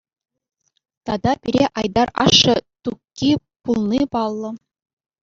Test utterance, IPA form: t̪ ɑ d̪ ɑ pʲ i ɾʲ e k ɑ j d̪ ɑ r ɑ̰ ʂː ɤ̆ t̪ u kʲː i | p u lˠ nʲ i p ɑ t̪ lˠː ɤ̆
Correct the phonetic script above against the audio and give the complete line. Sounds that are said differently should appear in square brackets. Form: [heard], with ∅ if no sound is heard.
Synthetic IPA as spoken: t̪ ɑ d̪ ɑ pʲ i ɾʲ e [ʔ] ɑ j d̪ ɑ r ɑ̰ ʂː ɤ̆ t̪ u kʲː i | p u lˠ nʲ i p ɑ [∅] lˠː ɤ̆